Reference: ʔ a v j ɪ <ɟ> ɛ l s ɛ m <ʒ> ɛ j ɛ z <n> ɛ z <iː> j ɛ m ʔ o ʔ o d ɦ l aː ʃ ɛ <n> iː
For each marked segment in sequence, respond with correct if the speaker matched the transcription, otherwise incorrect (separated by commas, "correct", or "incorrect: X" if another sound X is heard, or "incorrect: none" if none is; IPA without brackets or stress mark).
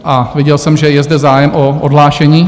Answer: correct, correct, incorrect: d, incorrect: aː, incorrect: ɲ